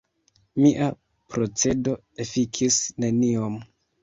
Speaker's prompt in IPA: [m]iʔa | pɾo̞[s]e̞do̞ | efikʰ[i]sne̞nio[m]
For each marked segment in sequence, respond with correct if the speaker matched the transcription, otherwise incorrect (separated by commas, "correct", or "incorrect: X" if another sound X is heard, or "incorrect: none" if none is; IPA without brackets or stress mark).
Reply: correct, incorrect: t͡s, correct, correct